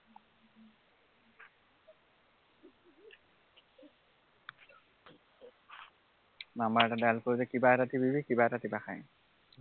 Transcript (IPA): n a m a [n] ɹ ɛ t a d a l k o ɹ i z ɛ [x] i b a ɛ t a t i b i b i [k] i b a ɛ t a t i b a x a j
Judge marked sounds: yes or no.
no, no, yes

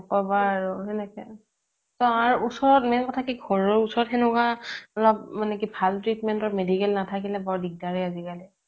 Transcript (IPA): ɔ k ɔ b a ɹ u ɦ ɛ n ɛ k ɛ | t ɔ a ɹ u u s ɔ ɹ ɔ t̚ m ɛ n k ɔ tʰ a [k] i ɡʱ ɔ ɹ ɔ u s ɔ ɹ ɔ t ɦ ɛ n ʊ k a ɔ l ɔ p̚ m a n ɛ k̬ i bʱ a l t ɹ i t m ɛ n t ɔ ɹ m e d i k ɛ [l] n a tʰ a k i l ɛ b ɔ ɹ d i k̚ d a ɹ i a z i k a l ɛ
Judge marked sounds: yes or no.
yes, yes

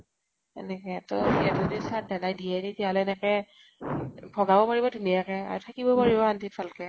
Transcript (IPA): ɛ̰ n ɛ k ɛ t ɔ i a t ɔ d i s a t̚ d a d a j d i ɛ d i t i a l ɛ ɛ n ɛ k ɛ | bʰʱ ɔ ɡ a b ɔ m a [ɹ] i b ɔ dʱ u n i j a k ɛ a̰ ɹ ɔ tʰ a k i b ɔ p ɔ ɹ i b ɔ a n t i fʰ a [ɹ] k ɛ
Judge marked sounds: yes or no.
yes, no

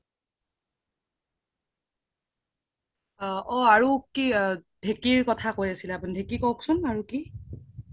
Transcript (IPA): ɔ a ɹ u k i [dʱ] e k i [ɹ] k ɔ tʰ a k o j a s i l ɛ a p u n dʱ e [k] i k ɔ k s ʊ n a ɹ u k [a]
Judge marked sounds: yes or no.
yes, yes, yes, no

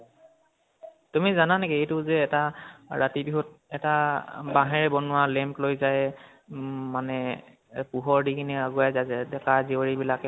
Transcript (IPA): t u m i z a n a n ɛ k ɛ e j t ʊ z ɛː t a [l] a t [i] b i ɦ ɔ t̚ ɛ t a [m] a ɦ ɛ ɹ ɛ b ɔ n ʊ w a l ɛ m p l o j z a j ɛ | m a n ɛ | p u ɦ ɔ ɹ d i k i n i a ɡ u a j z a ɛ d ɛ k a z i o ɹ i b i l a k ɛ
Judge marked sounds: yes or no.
no, yes, no

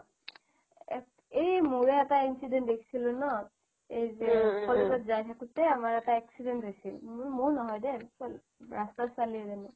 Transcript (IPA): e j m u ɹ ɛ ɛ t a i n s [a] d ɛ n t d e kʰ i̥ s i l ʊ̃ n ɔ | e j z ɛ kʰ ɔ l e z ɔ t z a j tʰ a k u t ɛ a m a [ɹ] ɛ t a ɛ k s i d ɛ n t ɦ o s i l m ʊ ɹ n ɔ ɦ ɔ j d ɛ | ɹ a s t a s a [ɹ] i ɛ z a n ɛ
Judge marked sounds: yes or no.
no, yes, no

